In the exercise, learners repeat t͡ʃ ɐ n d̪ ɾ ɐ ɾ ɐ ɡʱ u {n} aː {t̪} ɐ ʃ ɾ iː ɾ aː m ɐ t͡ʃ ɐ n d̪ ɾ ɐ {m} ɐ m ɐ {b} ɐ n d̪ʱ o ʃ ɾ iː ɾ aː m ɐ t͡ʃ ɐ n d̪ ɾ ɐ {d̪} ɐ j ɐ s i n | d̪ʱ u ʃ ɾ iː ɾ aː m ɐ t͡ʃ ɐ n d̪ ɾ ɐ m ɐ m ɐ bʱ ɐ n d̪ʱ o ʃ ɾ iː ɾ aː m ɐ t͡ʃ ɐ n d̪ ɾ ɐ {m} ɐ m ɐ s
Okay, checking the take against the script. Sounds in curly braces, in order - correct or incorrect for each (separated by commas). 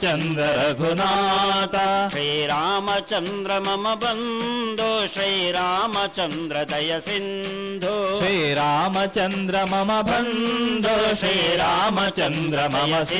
correct, correct, correct, correct, correct, correct